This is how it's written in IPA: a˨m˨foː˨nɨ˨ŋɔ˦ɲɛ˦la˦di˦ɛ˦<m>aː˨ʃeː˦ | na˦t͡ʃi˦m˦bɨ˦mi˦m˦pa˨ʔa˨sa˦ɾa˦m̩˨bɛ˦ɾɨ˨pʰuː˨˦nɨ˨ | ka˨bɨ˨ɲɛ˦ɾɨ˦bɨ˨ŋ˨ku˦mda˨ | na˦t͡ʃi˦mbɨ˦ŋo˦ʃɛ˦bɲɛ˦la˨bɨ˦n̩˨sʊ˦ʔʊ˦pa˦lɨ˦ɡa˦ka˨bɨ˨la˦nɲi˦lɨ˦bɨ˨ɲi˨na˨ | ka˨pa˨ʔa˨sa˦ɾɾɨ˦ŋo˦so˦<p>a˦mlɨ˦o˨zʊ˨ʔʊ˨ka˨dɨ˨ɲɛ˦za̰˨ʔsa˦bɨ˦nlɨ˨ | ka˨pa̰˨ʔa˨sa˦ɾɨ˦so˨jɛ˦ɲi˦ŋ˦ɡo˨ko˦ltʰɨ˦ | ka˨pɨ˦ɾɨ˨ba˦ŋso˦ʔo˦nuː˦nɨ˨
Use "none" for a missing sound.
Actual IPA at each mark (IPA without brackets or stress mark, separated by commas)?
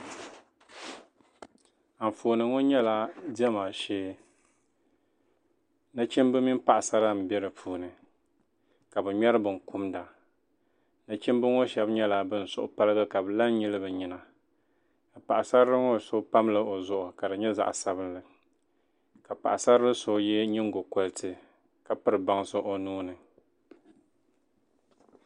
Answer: m, p